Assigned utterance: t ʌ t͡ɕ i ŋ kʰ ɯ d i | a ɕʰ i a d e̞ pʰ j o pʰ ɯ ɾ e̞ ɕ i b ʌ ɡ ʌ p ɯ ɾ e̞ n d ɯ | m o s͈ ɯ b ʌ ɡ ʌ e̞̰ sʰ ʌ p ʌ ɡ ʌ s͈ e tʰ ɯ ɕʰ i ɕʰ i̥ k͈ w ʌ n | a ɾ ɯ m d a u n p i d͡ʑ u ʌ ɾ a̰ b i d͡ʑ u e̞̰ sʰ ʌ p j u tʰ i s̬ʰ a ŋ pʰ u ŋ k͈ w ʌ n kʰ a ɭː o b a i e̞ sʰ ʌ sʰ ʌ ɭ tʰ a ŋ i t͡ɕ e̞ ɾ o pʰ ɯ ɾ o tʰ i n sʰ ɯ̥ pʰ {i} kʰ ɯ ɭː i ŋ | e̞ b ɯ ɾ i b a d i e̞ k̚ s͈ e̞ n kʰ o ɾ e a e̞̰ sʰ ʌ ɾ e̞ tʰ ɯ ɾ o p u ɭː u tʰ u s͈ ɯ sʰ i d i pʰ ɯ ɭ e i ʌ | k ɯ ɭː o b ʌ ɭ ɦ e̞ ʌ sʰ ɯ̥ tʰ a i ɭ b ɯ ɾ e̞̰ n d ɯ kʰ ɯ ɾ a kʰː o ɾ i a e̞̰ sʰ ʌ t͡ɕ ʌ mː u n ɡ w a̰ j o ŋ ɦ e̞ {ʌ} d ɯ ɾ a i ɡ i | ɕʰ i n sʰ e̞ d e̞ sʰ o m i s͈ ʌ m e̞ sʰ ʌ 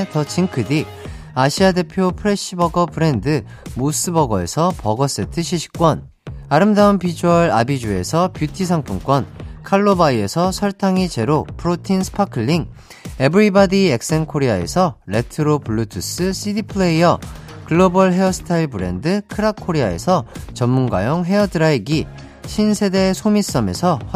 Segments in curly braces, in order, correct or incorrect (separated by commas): incorrect, correct